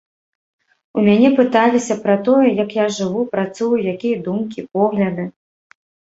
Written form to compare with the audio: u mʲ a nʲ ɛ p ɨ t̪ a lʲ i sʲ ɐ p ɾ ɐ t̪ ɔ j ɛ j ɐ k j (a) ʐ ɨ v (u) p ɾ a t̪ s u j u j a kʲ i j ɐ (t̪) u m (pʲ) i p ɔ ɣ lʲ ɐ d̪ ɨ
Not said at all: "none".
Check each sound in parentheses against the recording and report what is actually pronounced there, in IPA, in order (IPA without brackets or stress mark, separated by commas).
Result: a, u, d̪, kʲ